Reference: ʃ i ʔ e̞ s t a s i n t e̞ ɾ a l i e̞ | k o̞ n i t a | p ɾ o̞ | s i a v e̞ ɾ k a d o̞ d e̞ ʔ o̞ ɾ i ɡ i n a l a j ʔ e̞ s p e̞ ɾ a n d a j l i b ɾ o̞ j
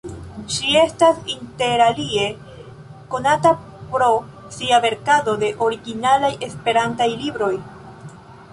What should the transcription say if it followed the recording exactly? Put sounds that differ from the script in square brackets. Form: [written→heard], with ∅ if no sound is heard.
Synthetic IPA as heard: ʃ i [ʔ→∅] e̞ s t a s i n t e̞ ɾ a l i e̞ | k o̞ n [i→a] t a | p ɾ o̞ | s i a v e̞ ɾ k a d o̞ d e̞ ʔ o̞ ɾ i ɡ i n a l a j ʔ e̞ s p e̞ ɾ a n [d→t] a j l i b ɾ o̞ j

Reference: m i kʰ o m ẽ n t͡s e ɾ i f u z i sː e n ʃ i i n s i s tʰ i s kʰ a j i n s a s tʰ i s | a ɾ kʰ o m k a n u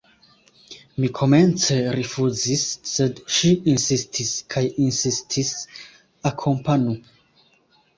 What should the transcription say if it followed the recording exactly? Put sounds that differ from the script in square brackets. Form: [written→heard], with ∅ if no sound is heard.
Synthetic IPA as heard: m i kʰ o m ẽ n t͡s e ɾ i f u z i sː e [n→d] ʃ i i n s i s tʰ i s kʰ a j i n s [a→i] s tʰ i s | a [ɾ→∅] kʰ o m [k→p] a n u

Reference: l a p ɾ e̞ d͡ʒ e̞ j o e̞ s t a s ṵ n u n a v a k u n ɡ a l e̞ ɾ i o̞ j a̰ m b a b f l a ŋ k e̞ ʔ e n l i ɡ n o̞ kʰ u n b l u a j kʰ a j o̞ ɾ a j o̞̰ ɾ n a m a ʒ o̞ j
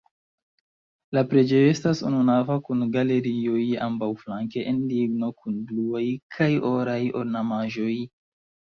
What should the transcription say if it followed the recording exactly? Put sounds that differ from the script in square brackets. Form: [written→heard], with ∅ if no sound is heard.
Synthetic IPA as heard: l a p ɾ e̞ d͡ʒ e̞ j o e̞ s t a s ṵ n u n a v a k u n ɡ a l e̞ ɾ i o̞ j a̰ m b a [b→w] f l a ŋ k e̞ ʔ e n l i ɡ n o̞ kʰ u n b l u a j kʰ a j o̞ ɾ a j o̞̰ ɾ n a m a ʒ o̞ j

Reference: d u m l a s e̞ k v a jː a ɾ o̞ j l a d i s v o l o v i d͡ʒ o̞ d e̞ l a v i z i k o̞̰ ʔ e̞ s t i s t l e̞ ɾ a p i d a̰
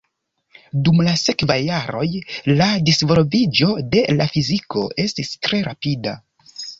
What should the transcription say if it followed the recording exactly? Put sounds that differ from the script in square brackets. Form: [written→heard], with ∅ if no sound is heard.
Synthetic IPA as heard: d u m l a s e̞ k v a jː a ɾ o̞ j l a d i s v o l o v i d͡ʒ o̞ d e̞ l a [v→f] i z i k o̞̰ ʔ e̞ s t i s t [l→ɾ] e̞ ɾ a p i d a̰

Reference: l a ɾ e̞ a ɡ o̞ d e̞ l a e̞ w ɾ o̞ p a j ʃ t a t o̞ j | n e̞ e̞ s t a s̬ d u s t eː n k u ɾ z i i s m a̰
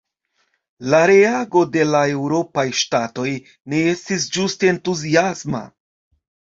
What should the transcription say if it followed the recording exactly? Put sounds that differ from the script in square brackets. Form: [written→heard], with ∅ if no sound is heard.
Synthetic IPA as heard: l a ɾ e̞ a ɡ o̞ d e̞ l a e̞ w ɾ o̞ p a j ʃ t a t o̞ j | n e̞ e̞ s t [a→i] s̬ [d→d͡ʒ] u s t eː n [k→t] u [ɾ→∅] z i [i→a] s m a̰

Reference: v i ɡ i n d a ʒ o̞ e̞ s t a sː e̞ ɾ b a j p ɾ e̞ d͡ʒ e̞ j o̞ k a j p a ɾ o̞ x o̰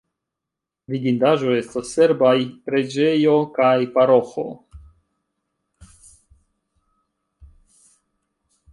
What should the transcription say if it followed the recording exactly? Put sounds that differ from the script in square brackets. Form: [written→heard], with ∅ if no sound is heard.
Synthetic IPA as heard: v i ɡ i n d a ʒ o̞ e̞ s t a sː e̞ ɾ b a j p ɾ e̞ d͡ʒ e̞ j o̞ k a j p a ɾ o̞ x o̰

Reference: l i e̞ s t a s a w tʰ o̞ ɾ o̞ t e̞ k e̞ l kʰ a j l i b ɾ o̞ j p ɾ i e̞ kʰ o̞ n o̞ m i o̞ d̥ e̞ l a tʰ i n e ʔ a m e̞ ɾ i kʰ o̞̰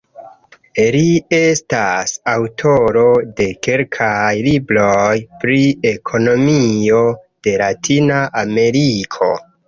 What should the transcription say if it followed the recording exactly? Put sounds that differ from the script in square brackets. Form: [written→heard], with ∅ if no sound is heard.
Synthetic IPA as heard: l i e̞ s t a s a w tʰ o̞ ɾ o̞ [t→d] e̞ k e̞ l kʰ a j l i b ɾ o̞ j p ɾ i e̞ kʰ o̞ n o̞ m i o̞ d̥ e̞ l a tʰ i n [e→a] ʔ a m e̞ ɾ i kʰ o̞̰

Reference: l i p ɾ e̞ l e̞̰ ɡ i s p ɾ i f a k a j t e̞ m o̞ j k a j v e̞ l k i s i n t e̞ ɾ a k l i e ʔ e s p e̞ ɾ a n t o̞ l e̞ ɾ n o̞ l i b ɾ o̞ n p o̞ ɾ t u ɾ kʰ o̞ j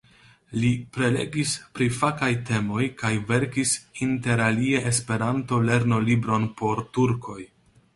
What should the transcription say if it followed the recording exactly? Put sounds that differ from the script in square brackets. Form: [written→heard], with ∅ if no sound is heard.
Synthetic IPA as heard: l i p ɾ e̞ l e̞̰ ɡ i s p ɾ i f a k a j t e̞ m o̞ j k a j v e̞ [l→ɾ] k i s i n t e̞ ɾ a [k→∅] l i e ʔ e s p e̞ ɾ a n t o̞ l e̞ ɾ n o̞ l i b ɾ o̞ n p o̞ ɾ t u ɾ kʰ o̞ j

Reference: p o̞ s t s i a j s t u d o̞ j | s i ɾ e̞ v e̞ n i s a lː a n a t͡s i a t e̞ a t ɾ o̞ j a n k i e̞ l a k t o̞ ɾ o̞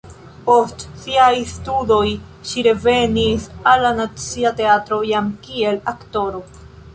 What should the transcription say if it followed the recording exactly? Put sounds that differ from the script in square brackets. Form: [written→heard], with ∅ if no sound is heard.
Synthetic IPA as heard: p o̞ s t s i a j s t u d o̞ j | [s→ʃ] i ɾ e̞ v e̞ n i s a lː a n a t͡s i a t e̞ a t ɾ o̞ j a [n→m] k i e̞ l a k t o̞ ɾ o̞

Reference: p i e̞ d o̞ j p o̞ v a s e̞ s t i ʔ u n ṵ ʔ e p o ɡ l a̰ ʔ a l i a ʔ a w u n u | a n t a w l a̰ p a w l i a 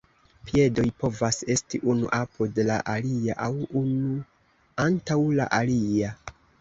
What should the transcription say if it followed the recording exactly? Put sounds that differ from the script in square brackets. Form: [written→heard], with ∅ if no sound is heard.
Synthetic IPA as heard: p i e̞ d o̞ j p o̞ v a s e̞ s t i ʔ u n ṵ ʔ [e→a] p o [ɡ→d] l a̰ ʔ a l i a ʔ a w u n u | a n t a w l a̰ [p→ʔ] a [w→∅] l i a

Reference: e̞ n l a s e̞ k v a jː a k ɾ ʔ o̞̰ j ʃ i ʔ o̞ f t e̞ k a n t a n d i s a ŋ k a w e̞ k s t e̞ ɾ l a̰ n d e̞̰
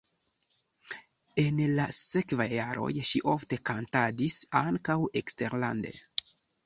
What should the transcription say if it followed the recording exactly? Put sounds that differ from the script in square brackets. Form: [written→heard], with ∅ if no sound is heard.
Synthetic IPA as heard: e̞ n l a s e̞ k v a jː a [k→∅] ɾ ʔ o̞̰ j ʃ i ʔ o̞ f t e̞ k a n t a [n→∅] d i s a ŋ k a w e̞ k s t e̞ ɾ l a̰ n d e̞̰

